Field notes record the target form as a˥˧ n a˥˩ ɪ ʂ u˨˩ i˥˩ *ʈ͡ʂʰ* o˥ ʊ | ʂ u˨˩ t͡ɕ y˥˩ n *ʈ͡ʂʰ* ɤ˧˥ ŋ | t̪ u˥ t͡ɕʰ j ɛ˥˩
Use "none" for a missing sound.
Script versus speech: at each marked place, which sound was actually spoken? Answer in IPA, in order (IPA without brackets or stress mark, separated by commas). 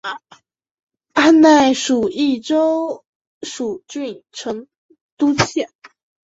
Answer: ʈ͡ʂ, ʈ͡ʂʰ